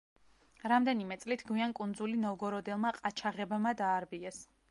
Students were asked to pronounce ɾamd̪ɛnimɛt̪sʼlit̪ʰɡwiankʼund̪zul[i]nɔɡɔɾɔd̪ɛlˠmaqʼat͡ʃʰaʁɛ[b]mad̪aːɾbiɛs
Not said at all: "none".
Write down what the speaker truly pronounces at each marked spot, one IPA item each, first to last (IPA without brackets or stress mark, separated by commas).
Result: i, b